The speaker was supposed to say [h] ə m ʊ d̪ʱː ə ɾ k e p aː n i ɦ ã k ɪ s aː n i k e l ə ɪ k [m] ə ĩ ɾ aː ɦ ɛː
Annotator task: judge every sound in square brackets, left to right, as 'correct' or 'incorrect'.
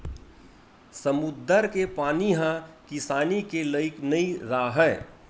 incorrect, incorrect

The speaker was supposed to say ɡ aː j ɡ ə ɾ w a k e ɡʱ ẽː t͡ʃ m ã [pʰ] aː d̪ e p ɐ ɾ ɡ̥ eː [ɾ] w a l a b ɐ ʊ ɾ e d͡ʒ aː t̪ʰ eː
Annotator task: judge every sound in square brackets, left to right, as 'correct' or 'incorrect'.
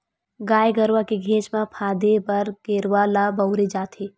correct, correct

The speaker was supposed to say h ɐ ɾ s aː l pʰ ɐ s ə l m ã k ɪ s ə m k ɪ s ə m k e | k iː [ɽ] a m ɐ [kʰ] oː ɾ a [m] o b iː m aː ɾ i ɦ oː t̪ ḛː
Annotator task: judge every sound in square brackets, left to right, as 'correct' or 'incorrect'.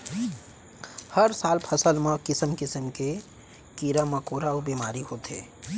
incorrect, incorrect, incorrect

